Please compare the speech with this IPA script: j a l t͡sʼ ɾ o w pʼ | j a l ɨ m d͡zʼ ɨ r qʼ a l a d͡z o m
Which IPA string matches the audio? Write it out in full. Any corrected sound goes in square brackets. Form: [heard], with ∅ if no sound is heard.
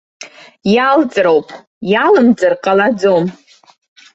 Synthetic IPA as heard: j a l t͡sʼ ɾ o w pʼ | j a l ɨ m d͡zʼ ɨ r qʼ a l a d͡z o m